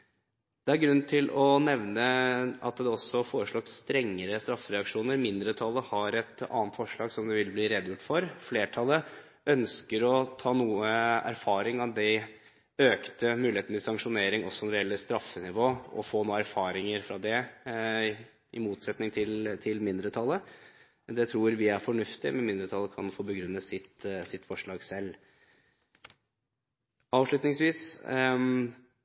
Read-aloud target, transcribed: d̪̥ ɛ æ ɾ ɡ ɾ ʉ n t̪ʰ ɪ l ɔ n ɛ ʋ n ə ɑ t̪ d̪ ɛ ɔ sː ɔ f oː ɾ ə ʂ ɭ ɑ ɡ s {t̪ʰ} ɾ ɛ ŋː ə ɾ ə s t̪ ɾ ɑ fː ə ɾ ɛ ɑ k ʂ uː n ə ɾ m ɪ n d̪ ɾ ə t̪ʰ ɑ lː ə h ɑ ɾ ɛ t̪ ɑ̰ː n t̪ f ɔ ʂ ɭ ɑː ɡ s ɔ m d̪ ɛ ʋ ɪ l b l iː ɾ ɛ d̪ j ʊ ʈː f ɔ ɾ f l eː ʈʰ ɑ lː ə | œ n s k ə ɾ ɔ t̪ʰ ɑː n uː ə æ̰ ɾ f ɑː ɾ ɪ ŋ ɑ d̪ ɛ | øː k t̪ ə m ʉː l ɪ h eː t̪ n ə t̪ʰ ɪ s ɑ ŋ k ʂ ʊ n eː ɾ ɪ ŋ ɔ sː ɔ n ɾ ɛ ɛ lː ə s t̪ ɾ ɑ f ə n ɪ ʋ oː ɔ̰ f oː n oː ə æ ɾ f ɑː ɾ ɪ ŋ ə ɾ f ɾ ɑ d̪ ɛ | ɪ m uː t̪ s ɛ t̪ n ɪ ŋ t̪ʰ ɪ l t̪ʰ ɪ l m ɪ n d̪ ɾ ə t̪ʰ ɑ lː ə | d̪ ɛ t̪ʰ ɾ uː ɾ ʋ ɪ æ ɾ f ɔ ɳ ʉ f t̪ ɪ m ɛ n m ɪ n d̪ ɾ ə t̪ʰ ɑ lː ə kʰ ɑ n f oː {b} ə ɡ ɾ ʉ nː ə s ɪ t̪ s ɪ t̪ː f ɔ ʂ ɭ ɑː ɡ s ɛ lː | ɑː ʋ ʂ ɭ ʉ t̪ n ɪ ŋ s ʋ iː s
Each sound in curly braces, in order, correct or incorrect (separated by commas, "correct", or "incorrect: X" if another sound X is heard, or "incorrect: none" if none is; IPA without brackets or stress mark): incorrect: t̪, correct